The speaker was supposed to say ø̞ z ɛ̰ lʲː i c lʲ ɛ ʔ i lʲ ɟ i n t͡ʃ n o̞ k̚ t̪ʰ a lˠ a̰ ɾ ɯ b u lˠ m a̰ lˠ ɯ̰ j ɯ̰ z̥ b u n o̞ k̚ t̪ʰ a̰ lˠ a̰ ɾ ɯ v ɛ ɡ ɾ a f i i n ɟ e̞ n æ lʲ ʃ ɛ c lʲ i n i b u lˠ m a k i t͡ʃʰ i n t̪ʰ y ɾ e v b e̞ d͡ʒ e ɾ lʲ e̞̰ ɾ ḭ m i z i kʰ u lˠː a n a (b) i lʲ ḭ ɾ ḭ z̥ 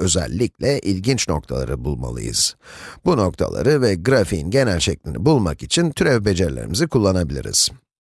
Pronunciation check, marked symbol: correct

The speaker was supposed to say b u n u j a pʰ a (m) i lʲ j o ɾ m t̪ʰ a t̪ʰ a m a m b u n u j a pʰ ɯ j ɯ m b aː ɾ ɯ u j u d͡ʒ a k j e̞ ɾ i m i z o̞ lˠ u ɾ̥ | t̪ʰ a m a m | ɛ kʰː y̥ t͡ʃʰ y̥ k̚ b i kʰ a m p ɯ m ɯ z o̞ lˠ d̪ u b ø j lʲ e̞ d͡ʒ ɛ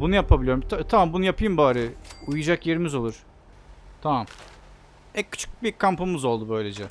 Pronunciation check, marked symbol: incorrect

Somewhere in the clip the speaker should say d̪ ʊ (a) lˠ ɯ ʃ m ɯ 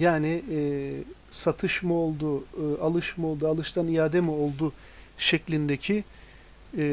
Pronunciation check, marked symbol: correct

